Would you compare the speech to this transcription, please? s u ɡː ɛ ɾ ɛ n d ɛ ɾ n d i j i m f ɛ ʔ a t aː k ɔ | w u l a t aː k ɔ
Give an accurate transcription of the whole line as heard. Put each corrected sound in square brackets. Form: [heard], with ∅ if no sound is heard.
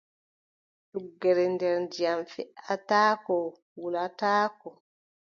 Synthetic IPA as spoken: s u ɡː ɛ ɾ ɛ n d ɛ ɾ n d i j [a] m f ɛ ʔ a t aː k ɔ | w u l a t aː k ɔ